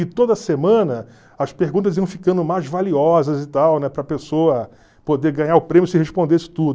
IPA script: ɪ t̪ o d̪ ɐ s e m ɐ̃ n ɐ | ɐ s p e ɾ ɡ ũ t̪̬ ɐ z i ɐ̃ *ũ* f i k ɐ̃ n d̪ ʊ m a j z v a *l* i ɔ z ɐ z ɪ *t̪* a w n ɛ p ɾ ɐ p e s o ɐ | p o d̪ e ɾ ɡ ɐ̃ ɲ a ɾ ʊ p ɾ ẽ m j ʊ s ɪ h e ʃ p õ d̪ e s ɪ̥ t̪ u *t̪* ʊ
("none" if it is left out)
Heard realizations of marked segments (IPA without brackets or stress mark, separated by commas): w̃, l, t̪, d̪